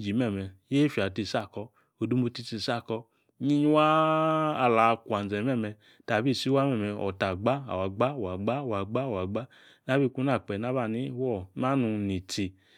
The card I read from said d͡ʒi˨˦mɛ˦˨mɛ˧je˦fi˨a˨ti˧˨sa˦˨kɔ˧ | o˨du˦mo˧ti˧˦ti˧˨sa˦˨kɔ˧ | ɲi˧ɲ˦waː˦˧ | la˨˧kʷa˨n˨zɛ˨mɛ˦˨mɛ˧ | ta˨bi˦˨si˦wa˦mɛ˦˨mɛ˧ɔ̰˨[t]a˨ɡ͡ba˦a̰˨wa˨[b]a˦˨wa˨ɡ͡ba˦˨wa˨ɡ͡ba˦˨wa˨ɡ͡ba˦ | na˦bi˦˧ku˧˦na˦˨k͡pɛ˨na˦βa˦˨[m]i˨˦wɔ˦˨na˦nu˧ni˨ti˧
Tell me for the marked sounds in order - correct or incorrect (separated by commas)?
correct, incorrect, incorrect